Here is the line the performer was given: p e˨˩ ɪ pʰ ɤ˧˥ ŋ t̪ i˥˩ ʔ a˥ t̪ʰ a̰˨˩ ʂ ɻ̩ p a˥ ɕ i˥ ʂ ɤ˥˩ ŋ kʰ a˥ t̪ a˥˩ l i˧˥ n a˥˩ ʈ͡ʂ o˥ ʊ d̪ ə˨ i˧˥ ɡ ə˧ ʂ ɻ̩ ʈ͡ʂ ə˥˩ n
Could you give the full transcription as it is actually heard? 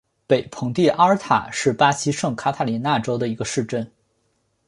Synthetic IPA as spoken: p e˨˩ ɪ pʰ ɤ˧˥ ŋ t̪ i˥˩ ʔ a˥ t̪ʰ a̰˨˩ ʂ ɻ̩ p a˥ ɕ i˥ ʂ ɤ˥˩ ŋ kʰ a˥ t̪ʰ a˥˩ l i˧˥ n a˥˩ ʈ͡ʂ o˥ ʊ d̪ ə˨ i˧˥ ɡ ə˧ ʂ ɻ̩ ʈ͡ʂ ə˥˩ n

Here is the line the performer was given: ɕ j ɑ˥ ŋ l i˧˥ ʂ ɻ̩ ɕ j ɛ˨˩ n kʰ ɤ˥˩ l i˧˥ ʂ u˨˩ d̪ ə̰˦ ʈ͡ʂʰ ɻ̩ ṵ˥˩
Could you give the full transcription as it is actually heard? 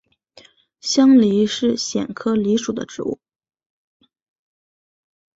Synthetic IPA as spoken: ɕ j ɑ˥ ŋ l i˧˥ ʂ ɻ̩ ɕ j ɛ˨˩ n kʰ ɤ˥ l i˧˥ ʂ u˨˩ d̪ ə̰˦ ʈ͡ʂ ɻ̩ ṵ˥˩

